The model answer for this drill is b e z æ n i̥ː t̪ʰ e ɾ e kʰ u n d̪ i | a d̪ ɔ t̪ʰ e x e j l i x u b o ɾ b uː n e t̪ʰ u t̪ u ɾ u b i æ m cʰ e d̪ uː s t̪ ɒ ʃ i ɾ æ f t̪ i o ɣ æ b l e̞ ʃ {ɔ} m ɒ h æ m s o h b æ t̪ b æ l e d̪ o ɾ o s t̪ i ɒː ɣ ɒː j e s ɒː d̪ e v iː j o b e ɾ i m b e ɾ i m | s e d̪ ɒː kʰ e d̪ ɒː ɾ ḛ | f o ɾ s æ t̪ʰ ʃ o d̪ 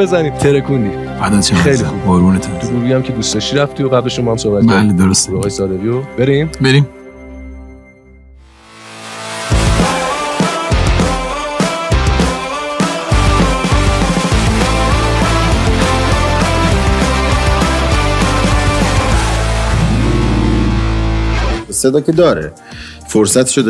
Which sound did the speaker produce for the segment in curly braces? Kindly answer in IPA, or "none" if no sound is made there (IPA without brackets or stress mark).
o